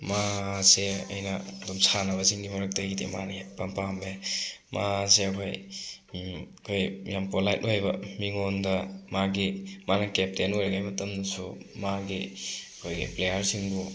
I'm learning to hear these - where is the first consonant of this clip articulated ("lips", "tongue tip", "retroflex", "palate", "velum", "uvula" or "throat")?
lips